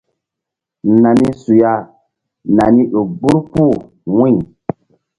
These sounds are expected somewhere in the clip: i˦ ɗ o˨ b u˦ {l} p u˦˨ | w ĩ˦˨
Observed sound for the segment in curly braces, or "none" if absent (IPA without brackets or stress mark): ɾ